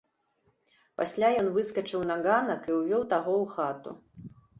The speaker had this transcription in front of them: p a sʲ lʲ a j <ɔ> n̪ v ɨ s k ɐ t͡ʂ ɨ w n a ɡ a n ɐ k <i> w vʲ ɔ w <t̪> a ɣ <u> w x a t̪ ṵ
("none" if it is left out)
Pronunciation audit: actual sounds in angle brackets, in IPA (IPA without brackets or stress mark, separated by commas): ɔ, i, t̪, ɔ